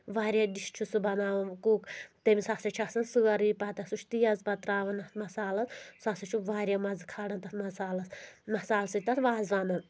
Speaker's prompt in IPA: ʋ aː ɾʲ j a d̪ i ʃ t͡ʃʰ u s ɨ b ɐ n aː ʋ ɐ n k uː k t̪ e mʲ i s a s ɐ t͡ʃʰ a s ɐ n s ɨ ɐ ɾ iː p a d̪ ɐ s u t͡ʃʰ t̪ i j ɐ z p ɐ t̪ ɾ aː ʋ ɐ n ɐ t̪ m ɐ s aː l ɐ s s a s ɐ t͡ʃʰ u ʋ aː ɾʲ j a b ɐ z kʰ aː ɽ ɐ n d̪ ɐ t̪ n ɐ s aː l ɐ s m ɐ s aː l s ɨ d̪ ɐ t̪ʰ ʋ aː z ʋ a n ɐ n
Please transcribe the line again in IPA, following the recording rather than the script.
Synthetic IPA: ʋ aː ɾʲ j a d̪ i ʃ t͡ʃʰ u s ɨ b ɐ n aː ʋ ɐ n k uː k t̪ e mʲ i s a s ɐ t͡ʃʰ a s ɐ n s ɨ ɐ ɾ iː p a t̪ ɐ s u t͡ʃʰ t̪ i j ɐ z p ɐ t̪ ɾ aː ʋ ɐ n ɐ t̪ m ɐ s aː l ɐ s s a s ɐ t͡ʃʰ u ʋ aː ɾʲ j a m ɐ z kʰ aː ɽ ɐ n t̪ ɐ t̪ m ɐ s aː l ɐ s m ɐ s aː l s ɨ t̪ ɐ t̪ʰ ʋ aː z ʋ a n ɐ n